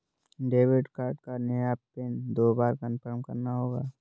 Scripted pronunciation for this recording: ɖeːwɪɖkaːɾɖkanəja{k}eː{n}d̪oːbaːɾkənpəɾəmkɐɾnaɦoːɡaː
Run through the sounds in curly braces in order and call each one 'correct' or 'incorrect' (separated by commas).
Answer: incorrect, correct